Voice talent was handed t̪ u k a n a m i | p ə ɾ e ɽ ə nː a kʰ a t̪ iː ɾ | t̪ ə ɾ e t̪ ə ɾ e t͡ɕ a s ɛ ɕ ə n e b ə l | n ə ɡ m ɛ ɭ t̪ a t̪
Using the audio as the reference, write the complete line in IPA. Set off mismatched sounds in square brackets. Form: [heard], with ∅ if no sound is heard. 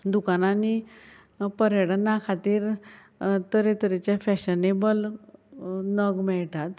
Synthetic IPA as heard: [d̪] u k a n a [n] i | p ə ɾ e ɽ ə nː a kʰ a t̪ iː ɾ | t̪ ə ɾ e t̪ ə ɾ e t͡ɕ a [f] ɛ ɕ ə n e b ə l | n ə ɡ m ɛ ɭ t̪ a t̪